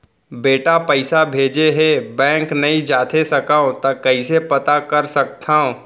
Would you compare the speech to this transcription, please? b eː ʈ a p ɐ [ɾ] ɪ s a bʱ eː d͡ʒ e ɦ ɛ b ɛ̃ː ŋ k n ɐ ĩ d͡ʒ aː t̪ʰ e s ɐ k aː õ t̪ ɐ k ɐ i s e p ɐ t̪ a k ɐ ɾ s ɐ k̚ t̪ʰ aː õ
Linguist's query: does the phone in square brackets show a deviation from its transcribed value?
yes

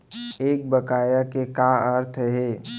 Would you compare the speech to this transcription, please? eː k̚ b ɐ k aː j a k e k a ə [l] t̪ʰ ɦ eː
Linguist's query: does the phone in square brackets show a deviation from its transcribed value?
yes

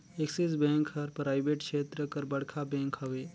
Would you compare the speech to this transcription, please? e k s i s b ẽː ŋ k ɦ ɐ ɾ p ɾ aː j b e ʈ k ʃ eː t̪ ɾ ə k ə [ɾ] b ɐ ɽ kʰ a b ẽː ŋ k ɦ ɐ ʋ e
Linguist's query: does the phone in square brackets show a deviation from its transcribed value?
no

